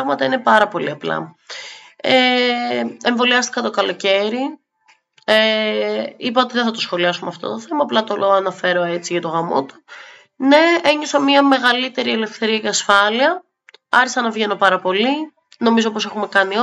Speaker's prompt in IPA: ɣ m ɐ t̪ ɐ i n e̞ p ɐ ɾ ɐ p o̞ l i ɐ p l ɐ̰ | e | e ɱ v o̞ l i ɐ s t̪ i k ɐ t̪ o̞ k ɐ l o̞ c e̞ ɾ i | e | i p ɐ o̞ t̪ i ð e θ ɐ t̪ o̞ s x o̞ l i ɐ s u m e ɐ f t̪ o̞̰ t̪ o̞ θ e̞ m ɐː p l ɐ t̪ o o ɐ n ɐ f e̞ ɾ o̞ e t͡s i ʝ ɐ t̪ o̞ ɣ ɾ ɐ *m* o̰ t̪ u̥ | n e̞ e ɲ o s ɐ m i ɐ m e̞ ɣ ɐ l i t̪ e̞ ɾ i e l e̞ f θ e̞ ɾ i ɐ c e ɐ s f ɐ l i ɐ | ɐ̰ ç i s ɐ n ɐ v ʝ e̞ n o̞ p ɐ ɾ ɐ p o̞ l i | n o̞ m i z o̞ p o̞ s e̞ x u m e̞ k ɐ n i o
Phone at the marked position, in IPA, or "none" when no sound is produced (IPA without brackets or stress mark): m